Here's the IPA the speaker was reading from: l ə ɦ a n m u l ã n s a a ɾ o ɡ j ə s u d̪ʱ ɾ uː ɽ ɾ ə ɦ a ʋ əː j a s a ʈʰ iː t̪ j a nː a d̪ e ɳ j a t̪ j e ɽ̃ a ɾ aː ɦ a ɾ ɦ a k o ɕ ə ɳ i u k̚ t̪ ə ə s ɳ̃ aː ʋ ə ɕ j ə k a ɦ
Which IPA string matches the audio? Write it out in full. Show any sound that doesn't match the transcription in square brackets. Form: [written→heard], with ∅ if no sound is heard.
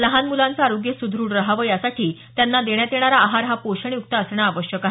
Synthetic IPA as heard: l ə ɦ a n m u l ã n [s→t͡s] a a ɾ o ɡ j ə s u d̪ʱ ɾ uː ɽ ɾ ə ɦ a ʋ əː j a s a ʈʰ iː t̪ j a nː a d̪ e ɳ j a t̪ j e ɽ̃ a ɾ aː ɦ a ɾ ɦ a [k→p] o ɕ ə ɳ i u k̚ t̪ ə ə s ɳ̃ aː ʋ ə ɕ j ə k a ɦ